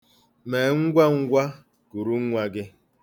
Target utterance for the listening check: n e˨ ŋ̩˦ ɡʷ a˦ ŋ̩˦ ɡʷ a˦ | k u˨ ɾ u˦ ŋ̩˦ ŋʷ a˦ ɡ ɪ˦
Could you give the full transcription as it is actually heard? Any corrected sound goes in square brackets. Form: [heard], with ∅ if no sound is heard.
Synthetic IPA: [m] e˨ ŋ̩˦ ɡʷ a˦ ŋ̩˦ ɡʷ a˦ | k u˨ ɾ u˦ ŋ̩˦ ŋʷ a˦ ɡ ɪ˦